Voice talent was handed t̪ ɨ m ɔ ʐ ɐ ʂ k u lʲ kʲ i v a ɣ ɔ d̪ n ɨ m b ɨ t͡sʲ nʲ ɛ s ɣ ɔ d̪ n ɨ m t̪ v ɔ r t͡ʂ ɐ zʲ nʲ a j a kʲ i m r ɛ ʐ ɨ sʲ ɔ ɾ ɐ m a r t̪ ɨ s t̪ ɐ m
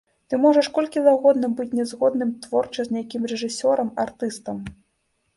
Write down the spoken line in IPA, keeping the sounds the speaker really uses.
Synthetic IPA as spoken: t̪ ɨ m ɔ ʐ ɐ ʂ k ɔ lʲ kʲ i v a ɣ ɔ d̪ n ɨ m b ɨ t͡sʲ nʲ ɛ z ɣ ɔ d̪ n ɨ m t̪ v ɔ r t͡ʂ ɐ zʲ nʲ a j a kʲ i m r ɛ ʐ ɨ sʲ ɔ ɾ ɐ m a r t̪ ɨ s t̪ ɐ m